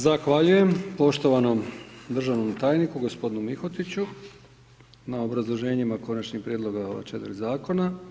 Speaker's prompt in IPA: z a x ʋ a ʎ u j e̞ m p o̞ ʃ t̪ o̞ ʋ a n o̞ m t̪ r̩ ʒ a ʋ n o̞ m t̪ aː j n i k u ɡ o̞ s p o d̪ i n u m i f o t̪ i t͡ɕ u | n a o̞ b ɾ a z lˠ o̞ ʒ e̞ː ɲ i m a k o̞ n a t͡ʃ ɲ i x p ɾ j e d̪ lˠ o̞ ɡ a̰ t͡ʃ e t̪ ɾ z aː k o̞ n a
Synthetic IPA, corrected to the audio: z a x ʋ a ʎ u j e̞ m p o̞ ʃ t̪ o̞ ʋ a n o̞ m d̪ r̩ ʒ a ʋ n o̞ m t̪ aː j n i k u ɡ o̞ s p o d̪ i n u m i x o t̪ i t͡ɕ u | n a o̞ b ɾ a z lˠ o̞ ʒ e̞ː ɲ i m a k o̞ n a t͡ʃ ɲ i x p ɾ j e d̪ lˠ o̞ ɡ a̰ t͡ʃ e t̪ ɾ z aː k o̞ n a